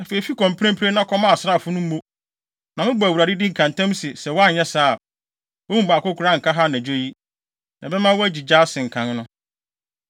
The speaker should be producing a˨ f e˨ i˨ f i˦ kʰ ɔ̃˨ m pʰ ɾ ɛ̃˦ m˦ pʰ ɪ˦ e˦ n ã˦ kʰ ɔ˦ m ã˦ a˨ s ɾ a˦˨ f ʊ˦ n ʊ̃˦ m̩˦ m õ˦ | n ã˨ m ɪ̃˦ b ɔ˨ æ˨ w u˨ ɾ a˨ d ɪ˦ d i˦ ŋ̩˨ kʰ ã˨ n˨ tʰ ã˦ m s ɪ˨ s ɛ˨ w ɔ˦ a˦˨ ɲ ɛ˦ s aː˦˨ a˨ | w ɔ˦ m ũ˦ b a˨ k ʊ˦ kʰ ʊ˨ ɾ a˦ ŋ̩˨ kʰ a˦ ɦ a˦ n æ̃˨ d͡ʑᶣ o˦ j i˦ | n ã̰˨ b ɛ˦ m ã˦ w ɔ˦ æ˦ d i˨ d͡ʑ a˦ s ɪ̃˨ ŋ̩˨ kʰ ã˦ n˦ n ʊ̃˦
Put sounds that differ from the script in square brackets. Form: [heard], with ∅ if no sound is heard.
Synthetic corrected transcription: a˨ f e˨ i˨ f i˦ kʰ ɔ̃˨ m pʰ ɾ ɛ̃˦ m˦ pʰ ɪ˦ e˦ n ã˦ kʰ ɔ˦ m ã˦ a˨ s ɾ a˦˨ f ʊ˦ n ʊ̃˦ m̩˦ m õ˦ | n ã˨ m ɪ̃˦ b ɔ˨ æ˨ w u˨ ɾ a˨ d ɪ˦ d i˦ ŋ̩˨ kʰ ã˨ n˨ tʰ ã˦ m s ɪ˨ s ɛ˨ w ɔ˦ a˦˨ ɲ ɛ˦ s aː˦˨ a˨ | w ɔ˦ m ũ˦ b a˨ k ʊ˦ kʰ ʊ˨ ɾ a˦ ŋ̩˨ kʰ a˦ ɦ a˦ n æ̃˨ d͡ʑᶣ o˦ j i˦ | n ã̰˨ b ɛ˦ m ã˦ w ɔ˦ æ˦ [d͡ʑ] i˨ d͡ʑ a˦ s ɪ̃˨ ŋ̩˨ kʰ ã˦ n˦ n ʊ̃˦

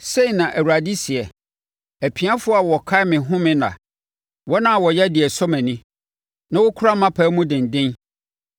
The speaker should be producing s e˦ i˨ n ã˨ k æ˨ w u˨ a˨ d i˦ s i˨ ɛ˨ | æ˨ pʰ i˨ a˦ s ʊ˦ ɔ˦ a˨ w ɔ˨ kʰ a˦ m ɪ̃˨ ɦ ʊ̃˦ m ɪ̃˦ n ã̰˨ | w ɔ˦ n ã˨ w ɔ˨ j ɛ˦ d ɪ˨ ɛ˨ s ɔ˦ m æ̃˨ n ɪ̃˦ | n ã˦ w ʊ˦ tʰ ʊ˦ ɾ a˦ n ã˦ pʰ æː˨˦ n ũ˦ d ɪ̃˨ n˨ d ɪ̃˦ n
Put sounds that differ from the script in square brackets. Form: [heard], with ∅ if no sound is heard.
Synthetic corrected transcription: s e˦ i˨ n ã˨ [ʔ] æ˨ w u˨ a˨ d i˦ s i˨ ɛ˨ | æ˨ pʰ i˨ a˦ [f] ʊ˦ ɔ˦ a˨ w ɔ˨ kʰ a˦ m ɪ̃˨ ɦ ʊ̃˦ m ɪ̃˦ n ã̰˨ | w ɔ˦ n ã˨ w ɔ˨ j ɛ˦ d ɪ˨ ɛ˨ s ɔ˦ m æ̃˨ n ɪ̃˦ | n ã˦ w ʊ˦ [kʰ] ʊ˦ ɾ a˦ [m] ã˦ pʰ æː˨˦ [m] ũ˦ d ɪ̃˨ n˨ d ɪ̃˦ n

